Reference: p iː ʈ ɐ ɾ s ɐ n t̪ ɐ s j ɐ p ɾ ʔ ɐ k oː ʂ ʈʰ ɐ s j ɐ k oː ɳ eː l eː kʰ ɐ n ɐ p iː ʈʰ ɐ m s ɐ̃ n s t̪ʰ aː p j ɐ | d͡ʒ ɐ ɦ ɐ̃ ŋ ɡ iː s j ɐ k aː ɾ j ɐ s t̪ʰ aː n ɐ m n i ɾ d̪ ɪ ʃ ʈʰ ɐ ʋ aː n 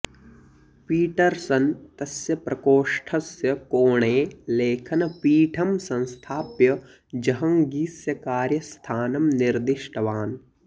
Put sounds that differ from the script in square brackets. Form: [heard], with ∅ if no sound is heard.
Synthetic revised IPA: p iː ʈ ɐ ɾ s ɐ n t̪ ɐ s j ɐ p ɾ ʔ ɐ k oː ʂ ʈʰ ɐ s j ɐ k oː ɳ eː l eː kʰ ɐ n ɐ p iː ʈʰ ɐ m s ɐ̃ n s t̪ʰ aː p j ɐ | d͡ʒ ɐ ɦ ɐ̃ ŋ ɡ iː s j ɐ k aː ɾ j ɐ s t̪ʰ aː n ɐ m n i ɾ d̪ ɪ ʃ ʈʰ ɐ ʋ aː n